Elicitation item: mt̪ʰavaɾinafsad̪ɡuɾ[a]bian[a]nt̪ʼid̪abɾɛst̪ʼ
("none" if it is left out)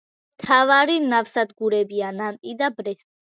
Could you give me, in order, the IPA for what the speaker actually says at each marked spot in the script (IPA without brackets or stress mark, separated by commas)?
ɛ, a